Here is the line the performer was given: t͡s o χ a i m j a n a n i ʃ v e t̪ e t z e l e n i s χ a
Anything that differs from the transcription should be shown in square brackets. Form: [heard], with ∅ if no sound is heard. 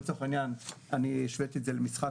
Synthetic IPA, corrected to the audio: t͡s o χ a i [n] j a n a n i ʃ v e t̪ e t z e l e [m] i s χ a